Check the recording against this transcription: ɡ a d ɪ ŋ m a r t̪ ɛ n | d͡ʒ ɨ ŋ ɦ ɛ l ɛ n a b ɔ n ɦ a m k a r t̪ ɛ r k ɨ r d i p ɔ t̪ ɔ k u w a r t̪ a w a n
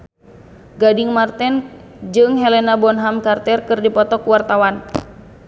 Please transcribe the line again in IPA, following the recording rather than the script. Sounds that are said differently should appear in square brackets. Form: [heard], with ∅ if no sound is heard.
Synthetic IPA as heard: ɡ a d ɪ ŋ m a r t̪ ɛ n | d͡ʒ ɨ ŋ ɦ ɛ l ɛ n a b ɔ n ɦ a m k a r t̪ ɛ r k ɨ r d i p ɔ t̪ ɔ k u w a r t̪ a w a n